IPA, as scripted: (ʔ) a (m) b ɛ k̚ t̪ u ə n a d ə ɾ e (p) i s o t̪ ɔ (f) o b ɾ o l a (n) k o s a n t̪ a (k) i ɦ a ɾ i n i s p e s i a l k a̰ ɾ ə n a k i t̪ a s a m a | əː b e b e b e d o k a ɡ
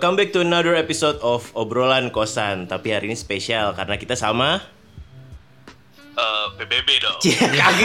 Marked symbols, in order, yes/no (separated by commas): no, yes, yes, yes, yes, no